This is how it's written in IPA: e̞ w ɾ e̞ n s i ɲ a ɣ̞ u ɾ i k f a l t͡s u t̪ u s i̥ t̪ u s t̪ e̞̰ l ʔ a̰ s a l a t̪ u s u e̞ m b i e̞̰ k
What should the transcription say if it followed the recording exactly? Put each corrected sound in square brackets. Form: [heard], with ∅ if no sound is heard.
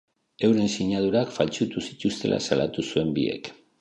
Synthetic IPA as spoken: e̞ w ɾ e̞ n s i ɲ a [ð̞] u ɾ [a] k f a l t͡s u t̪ u s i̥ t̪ u s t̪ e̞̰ l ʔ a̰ s a l a t̪ u s u e̞ m b i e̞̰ k

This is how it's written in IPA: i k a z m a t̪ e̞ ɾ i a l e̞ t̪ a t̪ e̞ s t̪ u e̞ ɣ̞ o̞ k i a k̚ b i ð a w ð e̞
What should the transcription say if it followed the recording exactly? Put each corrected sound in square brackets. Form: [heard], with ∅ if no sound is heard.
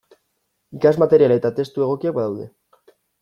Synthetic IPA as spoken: i k a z m a t̪ e̞ ɾ i a l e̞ t̪ a t̪ e̞ s t̪ u e̞ ɣ̞ o̞ k i a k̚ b [a] ð a w ð e̞

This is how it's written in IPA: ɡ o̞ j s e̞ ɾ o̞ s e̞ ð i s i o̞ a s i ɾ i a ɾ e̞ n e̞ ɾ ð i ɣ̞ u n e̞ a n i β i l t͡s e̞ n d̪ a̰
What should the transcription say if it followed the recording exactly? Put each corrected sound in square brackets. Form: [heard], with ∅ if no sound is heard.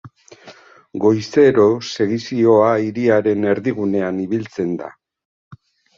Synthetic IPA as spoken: ɡ o̞ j s e̞ ɾ o̞ s e̞ [ɣ] i s i o̞ a [∅] i ɾ i a ɾ e̞ n e̞ ɾ ð i ɣ̞ u n e̞ a n i β i l t͡s e̞ n d̪ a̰

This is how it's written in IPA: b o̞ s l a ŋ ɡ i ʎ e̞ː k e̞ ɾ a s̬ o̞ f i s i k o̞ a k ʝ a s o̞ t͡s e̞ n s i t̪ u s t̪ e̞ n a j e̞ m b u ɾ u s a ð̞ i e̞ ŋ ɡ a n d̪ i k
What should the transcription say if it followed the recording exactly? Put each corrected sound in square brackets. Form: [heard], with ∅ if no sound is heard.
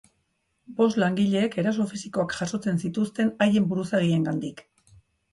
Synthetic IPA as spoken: b o̞ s l a ŋ ɡ i ʎ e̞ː k e̞ ɾ a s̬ o̞ f i s i k o̞ a k ʝ a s o̞ t͡s e̞ n s i t̪ u s t̪ e̞ n a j e̞ m b u ɾ u s a [ɣ̞] i e̞ ŋ ɡ a n d̪ i k

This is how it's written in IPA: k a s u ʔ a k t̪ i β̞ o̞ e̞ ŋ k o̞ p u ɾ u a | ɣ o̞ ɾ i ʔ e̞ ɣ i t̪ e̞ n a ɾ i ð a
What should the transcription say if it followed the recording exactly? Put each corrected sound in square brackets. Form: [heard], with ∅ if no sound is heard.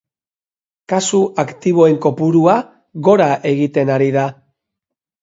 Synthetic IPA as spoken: k a s u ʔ a k t̪ i β̞ o̞ e̞ ŋ k o̞ p u ɾ u a | ɣ o̞ ɾ [a] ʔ e̞ ɣ i t̪ e̞ n a ɾ i ð a

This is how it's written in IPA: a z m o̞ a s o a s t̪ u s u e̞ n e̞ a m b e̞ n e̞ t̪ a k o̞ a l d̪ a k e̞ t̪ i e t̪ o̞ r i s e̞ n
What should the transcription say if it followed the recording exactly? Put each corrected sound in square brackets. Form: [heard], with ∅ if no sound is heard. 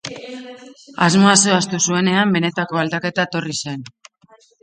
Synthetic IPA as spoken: a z m o̞ a s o a s t̪ u s u e̞ n e̞ a m b e̞ n e̞ t̪ a k o̞ a l d̪ a k e̞ t̪ [a] e t̪ o̞ r i s e̞ n

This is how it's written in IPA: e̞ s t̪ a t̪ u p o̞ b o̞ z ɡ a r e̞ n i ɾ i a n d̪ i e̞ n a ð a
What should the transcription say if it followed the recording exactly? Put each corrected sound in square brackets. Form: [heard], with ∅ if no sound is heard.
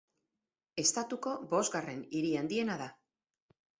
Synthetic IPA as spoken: e̞ s t̪ a t̪ u [k] o̞ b o̞ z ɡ a r e̞ n i ɾ i a n d̪ i e̞ n a ð a

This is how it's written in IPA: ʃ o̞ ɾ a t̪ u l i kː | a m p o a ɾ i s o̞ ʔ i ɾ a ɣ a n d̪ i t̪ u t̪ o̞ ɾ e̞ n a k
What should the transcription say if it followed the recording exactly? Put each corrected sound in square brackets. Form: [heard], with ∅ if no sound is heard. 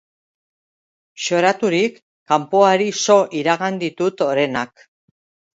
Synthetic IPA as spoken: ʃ o̞ ɾ a t̪ u [ɾ] i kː | a m p o a ɾ i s o̞ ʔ i ɾ a ɣ a n d̪ i t̪ u t̪ o̞ ɾ e̞ n a k

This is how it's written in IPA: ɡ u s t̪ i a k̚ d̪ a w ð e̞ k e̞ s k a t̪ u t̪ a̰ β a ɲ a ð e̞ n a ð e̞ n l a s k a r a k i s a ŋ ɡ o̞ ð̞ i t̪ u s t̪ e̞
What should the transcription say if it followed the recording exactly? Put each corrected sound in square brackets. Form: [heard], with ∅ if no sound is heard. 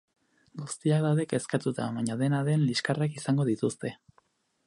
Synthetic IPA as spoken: ɡ u s t̪ i a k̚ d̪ a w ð e̞ k e̞ s k a t̪ u t̪ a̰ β a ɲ a ð e̞ n a ð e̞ n l [i] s k a r a k i s a ŋ ɡ o̞ ð̞ i t̪ u s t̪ e̞

